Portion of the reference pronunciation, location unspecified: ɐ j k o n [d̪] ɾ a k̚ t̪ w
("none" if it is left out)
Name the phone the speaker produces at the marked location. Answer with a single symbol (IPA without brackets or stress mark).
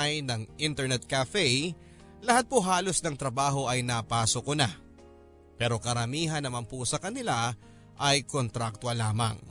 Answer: t̪